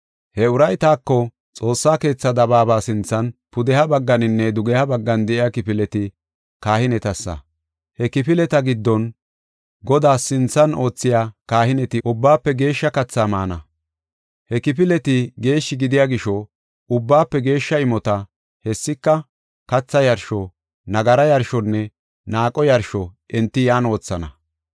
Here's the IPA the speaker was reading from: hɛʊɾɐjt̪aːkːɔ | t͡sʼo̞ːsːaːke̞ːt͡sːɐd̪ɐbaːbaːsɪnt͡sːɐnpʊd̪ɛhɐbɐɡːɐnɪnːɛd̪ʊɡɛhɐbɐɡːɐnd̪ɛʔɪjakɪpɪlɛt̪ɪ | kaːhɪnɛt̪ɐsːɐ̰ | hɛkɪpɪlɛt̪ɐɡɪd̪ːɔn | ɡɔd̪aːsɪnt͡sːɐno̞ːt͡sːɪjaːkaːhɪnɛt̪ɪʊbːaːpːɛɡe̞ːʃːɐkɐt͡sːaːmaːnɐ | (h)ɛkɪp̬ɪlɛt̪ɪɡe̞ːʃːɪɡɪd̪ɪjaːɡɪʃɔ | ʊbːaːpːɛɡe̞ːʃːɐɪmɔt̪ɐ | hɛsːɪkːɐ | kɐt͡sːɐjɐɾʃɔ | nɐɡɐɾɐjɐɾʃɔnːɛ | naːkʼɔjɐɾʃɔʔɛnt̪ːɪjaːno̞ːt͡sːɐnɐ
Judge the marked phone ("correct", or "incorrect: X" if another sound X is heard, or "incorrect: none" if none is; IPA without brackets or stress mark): correct